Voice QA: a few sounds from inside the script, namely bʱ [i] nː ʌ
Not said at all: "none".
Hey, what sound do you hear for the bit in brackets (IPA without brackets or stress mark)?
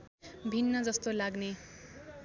i